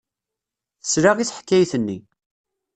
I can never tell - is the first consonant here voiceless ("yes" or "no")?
yes